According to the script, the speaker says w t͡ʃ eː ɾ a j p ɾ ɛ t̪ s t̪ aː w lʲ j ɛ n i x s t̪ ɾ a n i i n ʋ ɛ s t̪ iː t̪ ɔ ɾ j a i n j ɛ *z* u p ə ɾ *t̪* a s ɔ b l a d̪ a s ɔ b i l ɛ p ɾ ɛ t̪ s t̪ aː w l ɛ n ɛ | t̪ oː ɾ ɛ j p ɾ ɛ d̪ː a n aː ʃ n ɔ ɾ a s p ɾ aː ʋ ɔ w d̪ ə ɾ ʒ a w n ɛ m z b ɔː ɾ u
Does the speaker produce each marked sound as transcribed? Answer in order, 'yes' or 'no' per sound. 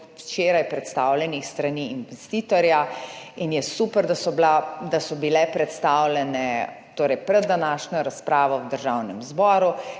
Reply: no, no

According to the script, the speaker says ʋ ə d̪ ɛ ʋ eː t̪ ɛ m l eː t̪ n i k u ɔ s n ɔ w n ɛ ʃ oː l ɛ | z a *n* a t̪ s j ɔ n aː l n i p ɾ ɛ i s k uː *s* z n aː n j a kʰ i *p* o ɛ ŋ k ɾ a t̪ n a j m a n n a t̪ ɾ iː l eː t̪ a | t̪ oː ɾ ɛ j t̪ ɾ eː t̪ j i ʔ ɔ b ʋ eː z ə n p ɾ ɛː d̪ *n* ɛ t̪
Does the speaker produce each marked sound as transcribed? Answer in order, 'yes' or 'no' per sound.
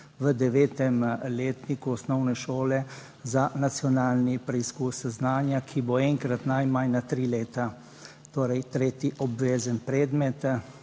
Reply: yes, yes, no, no

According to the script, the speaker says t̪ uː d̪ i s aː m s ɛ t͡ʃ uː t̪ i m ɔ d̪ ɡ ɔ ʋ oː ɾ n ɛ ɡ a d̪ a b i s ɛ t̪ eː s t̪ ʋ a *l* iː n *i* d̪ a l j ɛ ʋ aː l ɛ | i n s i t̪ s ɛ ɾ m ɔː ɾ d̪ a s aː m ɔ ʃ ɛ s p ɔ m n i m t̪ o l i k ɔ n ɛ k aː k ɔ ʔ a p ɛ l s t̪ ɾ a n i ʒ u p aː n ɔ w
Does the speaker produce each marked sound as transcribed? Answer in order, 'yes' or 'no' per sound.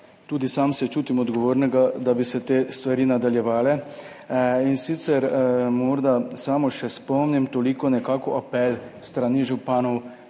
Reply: no, no

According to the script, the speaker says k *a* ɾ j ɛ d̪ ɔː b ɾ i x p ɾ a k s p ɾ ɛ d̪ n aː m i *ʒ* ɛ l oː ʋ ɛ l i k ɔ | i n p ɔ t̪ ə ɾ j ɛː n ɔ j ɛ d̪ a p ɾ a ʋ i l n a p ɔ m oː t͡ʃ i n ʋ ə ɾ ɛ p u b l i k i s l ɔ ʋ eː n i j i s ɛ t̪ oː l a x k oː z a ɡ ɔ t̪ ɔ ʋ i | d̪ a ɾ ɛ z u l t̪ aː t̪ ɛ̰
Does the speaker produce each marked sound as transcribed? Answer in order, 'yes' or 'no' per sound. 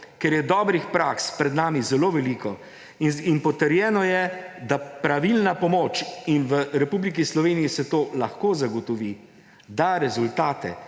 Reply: no, no

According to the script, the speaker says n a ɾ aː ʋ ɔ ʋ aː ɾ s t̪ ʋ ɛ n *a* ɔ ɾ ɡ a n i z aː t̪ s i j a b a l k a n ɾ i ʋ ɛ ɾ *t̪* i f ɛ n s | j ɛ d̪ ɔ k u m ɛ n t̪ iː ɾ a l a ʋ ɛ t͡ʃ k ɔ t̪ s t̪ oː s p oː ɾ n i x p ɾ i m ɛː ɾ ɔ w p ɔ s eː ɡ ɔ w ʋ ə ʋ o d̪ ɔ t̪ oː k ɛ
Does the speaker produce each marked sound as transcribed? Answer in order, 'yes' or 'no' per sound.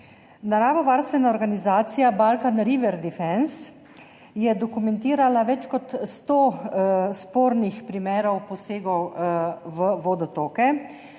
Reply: yes, no

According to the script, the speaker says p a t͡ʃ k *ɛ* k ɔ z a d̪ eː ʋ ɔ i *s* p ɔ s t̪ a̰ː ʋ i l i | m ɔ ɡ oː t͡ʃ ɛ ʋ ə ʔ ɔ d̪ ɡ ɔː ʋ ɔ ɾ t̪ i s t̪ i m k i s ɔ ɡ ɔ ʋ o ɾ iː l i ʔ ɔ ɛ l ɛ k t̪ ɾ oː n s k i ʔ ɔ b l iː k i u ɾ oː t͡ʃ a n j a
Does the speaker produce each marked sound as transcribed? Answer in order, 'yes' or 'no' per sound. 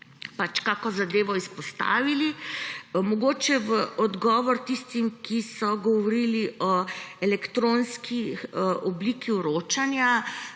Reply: no, yes

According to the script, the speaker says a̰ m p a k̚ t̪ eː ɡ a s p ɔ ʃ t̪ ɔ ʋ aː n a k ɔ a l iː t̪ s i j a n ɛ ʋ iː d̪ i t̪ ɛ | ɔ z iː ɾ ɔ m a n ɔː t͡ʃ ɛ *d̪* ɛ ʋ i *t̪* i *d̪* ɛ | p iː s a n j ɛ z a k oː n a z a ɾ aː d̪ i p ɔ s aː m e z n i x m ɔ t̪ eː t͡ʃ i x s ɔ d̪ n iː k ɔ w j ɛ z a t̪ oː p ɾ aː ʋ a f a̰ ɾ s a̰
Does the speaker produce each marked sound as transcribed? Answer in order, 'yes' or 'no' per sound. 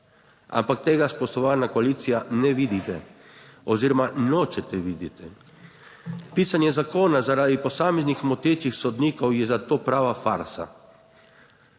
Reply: no, no, no

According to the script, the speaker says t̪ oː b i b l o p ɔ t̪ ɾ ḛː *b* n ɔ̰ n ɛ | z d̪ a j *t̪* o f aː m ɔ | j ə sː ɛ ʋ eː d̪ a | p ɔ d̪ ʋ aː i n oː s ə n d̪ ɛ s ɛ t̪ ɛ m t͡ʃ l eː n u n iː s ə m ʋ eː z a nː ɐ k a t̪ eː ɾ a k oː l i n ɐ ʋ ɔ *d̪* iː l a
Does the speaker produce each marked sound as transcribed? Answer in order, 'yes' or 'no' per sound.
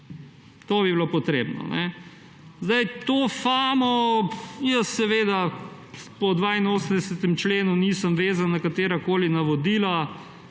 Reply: yes, yes, yes

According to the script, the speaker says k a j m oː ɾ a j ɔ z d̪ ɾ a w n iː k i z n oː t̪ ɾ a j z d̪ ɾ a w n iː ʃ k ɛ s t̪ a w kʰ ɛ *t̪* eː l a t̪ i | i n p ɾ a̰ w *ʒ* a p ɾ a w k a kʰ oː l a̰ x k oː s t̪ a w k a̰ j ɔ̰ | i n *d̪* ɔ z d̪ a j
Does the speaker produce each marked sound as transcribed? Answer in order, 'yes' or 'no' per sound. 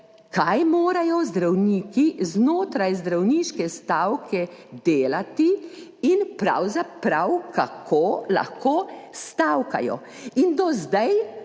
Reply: no, no, yes

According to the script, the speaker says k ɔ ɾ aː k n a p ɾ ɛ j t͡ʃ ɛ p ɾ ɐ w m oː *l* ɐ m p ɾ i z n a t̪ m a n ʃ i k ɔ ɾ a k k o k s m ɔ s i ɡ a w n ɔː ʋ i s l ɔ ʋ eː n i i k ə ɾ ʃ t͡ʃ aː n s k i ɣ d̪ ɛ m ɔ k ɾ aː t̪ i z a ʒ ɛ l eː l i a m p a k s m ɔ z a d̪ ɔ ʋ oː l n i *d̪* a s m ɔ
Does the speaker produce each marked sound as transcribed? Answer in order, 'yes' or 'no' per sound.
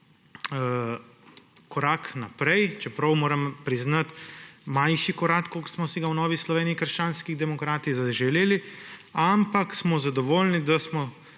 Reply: no, yes

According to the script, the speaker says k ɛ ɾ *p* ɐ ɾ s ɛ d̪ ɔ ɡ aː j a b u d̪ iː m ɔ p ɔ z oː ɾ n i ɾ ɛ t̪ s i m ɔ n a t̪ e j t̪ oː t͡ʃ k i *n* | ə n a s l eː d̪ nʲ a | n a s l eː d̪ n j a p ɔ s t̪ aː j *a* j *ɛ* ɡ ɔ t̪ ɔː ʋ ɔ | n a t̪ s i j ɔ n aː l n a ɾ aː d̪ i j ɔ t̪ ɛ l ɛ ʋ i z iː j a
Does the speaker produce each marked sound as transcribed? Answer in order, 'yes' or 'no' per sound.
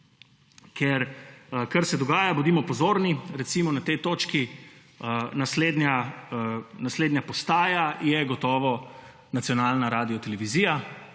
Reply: no, no, yes, yes

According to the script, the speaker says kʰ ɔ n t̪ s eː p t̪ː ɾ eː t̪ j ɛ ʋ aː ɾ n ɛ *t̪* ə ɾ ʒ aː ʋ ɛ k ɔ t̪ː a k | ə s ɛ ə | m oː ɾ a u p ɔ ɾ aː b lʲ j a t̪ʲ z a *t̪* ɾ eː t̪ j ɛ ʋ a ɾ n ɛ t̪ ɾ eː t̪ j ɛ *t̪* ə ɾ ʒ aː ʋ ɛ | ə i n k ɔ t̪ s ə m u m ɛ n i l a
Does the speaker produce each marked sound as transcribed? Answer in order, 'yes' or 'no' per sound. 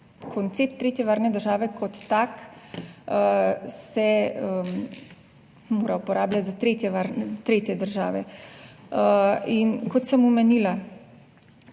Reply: no, yes, no

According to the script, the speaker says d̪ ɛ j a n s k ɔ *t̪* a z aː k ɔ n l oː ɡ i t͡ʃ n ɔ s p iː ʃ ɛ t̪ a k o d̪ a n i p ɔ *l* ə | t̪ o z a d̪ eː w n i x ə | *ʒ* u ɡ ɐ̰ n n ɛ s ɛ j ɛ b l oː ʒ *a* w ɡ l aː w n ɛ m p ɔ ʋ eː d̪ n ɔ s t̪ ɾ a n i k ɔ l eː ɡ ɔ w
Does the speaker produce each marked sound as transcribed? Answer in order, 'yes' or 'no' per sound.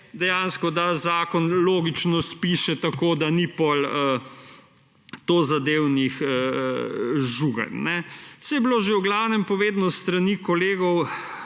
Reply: no, yes, yes, no

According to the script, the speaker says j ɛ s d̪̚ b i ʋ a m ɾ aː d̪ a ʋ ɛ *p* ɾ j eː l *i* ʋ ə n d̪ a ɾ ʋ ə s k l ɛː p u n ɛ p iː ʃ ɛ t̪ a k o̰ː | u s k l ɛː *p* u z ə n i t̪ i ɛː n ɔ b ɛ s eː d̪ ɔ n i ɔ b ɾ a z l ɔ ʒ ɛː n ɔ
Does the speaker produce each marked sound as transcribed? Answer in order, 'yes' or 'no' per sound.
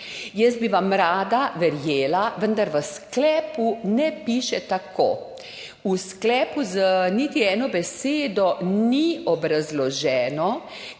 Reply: no, no, yes

